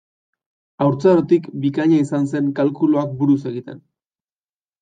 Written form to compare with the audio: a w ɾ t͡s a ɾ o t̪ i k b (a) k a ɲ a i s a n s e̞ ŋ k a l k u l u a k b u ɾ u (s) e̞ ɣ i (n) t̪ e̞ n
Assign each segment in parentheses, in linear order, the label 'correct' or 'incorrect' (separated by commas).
incorrect, correct, incorrect